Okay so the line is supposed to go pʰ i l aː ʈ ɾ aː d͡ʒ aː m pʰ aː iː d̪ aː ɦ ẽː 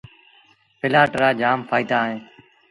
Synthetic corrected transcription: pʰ ɪ l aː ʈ ɾ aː d͡ʒ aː m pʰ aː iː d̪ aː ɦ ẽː